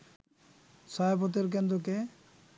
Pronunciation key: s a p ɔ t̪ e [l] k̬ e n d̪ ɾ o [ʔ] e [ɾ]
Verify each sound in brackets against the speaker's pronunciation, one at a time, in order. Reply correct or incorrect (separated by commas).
incorrect, incorrect, incorrect